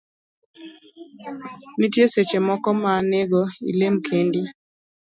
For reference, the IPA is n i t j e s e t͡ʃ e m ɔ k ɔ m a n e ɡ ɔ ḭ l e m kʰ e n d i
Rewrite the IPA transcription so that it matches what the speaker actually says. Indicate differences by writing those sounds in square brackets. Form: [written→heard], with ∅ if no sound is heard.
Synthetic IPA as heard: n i t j e s e t͡ʃ e m ɔ k ɔ m a n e ɡ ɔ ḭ l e m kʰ e n d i